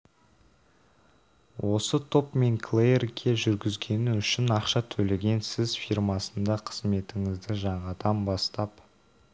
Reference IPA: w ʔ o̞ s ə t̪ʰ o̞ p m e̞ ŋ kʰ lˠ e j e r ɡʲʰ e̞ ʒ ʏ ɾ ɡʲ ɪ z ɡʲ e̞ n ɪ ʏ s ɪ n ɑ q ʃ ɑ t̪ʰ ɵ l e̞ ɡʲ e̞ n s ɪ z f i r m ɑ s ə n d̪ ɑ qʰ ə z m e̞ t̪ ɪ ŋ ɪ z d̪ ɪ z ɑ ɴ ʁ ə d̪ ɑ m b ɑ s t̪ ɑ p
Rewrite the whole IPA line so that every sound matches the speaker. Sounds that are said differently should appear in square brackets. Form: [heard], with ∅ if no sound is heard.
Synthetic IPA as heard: w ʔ o̞ s ə t̪ʰ o̞ p m e̞ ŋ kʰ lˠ e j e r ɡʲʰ e̞ ʒ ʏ ɾ ɡʲ ɪ z ɡʲ e̞ n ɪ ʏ [ʃ] ɪ n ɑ q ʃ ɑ t̪ʰ ɵ l e̞ ɡʲ e̞ n s ɪ z f i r m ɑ s ə n d̪ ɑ qʰ ə z m e̞ t̪ ɪ ŋ ɪ z d̪ ɪ [ʒ] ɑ ɴ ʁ [ɑ] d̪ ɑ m b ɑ s t̪ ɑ p

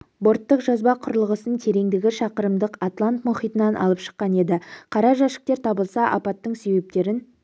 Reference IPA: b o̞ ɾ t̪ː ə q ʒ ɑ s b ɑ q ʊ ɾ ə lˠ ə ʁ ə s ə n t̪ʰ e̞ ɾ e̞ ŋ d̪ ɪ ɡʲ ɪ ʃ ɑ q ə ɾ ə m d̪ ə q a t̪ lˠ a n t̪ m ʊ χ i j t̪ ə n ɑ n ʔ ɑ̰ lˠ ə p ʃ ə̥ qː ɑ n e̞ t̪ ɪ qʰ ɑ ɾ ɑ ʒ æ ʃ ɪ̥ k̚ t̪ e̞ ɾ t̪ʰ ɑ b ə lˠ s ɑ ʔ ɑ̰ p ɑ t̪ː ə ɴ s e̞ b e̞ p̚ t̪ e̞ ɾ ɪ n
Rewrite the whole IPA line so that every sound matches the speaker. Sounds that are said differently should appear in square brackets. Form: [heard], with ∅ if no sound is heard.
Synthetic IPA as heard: b o̞ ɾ t̪ː ə q ʒ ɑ [z] b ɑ [qʰ] ʊ ɾ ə lˠ ə ʁ ə s ə n t̪ʰ e̞ ɾ e̞ ŋ d̪ ɪ ɡʲ ɪ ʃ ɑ q ə ɾ ə m d̪ ə q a t̪ lˠ a n t̪ m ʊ χ i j t̪ ə n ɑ n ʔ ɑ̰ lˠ ə p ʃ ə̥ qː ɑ n e̞ [d̪] ɪ qʰ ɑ ɾ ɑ ʒ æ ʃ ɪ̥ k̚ t̪ e̞ ɾ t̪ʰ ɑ b ə lˠ s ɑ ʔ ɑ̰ p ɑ t̪ː ə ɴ s e̞ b e̞ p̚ t̪ e̞ ɾ ɪ n

